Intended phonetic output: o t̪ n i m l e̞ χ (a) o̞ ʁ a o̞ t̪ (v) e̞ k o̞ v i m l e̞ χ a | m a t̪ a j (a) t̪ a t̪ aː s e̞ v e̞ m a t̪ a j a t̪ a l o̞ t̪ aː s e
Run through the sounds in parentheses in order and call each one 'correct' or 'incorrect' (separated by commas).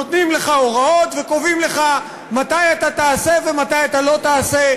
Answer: correct, correct, correct